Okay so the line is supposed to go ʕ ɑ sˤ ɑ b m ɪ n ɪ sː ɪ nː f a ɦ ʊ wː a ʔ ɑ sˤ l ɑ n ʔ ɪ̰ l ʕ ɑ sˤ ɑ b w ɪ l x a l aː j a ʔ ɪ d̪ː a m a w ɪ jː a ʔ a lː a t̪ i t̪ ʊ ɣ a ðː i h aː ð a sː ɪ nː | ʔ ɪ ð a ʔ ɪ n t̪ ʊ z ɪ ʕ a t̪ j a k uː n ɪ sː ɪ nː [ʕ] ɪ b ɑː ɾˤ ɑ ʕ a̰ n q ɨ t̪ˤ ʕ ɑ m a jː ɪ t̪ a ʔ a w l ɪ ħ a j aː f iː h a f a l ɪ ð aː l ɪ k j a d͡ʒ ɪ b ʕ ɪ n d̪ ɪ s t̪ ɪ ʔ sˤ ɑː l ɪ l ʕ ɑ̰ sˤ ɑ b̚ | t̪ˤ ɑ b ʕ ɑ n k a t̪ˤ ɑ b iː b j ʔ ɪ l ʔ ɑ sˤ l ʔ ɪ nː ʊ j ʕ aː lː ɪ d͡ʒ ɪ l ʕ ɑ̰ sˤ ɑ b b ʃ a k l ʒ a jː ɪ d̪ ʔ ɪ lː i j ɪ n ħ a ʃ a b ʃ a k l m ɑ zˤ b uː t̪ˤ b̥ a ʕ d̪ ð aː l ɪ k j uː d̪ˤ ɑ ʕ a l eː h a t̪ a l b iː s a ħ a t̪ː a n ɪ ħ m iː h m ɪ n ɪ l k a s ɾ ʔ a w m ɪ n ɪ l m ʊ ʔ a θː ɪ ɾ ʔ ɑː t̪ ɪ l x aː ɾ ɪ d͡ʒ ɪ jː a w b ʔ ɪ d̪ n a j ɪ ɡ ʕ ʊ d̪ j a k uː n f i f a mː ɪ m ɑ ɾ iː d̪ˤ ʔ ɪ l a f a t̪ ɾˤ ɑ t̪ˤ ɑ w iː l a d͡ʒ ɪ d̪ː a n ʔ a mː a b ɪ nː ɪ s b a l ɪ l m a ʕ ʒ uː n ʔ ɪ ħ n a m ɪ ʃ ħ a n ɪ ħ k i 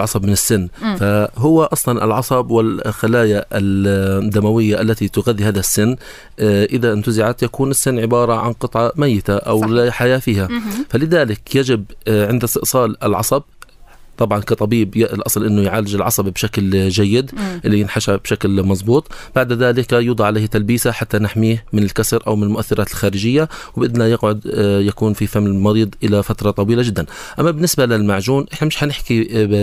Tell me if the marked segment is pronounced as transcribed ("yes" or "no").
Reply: yes